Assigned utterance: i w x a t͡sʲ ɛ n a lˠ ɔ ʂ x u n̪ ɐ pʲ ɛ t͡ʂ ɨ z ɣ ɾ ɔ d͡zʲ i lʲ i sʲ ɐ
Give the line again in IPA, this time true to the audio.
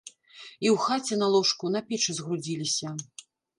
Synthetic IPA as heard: i w x a t͡sʲ ɛ n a lˠ ɔ ʂ k u n̪ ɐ pʲ ɛ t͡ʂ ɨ z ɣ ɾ u d͡zʲ i lʲ i sʲ ɐ